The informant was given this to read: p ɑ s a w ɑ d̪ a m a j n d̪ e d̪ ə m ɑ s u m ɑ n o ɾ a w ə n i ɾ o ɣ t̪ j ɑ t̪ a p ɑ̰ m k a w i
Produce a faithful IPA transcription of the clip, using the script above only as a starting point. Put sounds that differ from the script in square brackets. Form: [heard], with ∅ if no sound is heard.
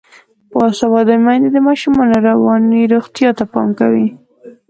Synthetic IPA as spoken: p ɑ s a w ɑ d̪ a m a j n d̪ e d̪ ə m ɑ [ʃ] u m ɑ n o ɾ a w [ɑ] n i ɾ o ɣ t̪ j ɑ t̪ a p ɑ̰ m k a w i

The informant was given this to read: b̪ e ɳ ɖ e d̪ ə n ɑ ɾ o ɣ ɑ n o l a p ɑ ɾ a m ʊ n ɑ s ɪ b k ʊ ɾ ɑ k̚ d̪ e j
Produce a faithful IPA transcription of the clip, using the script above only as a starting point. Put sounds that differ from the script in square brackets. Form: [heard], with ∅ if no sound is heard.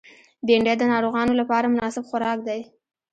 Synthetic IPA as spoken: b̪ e ɳ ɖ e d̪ ə n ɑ ɾ o ɣ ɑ n o l a p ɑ ɾ a m ʊ n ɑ s ɪ b [x] ʊ ɾ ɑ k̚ d̪ [a] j

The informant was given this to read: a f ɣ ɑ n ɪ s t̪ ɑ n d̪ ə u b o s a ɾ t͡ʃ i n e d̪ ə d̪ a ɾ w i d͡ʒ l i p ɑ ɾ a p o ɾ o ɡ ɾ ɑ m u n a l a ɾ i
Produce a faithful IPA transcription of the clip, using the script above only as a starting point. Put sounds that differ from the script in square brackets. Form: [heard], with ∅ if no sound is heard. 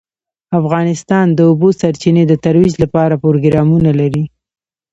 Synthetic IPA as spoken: a f ɣ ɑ n ɪ s t̪ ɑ n d̪ ə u b o s a ɾ t͡ʃ i n e d̪ ə [t̪] a ɾ w i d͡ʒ l [a] p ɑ ɾ a p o ɾ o ɡ ɾ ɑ m u n a l a ɾ i

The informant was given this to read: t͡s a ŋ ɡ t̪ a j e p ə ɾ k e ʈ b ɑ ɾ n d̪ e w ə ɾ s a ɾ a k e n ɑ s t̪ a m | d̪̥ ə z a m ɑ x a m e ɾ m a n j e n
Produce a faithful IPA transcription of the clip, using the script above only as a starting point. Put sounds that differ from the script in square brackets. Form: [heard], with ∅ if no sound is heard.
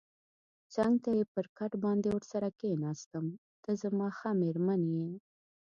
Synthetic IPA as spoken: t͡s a ŋ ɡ t̪ a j e p ə ɾ k [a] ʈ b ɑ [∅] n d̪ e w ə ɾ s a ɾ a k e n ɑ s t̪ [ə] m | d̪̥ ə z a m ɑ x a m e ɾ m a n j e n

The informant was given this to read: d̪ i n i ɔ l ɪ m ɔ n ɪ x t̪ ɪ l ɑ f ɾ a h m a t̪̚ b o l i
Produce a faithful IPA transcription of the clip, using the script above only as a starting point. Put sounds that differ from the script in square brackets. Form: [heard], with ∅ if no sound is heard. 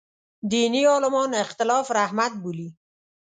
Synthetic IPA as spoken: d̪ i n i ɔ l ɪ m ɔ n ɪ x t̪ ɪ l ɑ f ɾ a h m a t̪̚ b [u] l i

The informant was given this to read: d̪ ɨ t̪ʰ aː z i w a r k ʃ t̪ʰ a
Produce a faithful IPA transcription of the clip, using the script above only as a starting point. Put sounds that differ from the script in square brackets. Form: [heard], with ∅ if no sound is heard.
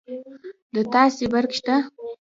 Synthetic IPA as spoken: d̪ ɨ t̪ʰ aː [s] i [b] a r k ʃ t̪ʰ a

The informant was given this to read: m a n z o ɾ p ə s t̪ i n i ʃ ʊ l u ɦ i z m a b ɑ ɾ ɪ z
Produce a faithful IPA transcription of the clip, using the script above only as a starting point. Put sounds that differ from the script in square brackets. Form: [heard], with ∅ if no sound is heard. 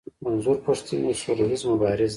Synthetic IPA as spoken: m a n z [u] ɾ p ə [ʂ] t̪ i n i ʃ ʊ [ɾ] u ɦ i z m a b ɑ ɾ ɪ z

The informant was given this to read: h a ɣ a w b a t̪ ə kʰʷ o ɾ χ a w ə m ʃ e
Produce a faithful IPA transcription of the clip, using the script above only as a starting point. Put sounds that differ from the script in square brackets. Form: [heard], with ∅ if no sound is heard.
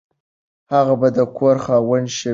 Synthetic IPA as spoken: h a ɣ a [∅] b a [d̪] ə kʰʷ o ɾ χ a w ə [n] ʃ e

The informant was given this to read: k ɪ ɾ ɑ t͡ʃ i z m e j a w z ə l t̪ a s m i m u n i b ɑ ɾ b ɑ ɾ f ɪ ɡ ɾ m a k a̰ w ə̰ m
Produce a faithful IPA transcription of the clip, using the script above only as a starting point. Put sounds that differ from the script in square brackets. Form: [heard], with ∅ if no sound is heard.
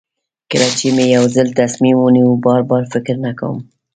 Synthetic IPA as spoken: k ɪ ɾ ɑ t͡ʃ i [∅] m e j a w z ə l t̪ a s m i m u n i b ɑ ɾ b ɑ ɾ f ɪ [k] ɾ [n] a k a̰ w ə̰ m

